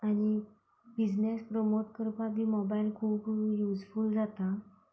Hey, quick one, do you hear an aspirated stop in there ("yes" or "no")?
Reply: yes